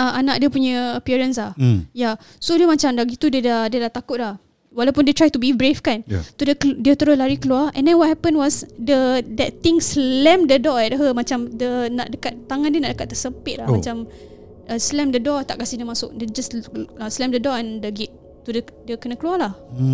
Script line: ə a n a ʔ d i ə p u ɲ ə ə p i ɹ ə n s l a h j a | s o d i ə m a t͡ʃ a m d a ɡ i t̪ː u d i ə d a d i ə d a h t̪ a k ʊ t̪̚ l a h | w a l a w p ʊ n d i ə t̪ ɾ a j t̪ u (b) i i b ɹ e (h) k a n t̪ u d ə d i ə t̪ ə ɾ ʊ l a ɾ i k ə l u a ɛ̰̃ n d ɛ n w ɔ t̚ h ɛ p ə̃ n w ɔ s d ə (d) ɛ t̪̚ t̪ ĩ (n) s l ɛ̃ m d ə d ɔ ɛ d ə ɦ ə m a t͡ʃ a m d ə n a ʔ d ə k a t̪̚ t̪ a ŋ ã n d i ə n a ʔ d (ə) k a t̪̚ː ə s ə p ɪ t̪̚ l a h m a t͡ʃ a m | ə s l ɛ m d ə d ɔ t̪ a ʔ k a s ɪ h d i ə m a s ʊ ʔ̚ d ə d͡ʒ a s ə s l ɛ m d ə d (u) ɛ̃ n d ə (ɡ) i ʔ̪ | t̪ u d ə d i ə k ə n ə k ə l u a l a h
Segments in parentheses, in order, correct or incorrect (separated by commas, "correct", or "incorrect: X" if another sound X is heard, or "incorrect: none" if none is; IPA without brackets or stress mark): correct, incorrect: f, correct, incorrect: ŋ, correct, incorrect: ɔ, correct